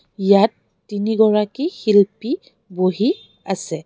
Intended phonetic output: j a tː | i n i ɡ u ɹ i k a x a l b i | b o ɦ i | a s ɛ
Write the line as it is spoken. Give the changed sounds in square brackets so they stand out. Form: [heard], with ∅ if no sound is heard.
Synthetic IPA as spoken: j a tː | i n i ɡ [ɔ] ɹ [a] k [i] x [i] l [p] i | b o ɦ i | a s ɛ